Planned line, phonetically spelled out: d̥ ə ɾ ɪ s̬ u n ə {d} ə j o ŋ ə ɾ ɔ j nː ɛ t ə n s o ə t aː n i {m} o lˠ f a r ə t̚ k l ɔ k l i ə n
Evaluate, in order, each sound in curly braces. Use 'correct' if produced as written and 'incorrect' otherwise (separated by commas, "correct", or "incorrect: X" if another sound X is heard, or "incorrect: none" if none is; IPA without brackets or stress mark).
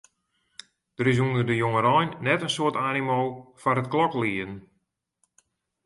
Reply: correct, correct